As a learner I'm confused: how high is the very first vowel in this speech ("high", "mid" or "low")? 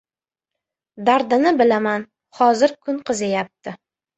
low